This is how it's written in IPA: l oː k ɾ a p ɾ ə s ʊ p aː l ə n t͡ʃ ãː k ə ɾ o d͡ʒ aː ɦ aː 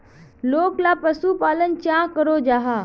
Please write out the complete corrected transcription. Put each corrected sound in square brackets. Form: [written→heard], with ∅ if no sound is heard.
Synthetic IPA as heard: l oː k [ɾ→l] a p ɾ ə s [ʊ→u] p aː l ə n t͡ʃ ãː k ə ɾ o d͡ʒ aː ɦ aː